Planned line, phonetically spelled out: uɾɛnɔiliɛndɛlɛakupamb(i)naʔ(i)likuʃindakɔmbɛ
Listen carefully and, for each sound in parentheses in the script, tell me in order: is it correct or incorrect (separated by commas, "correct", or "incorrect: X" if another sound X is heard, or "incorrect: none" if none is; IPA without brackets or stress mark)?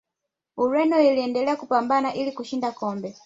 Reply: incorrect: a, correct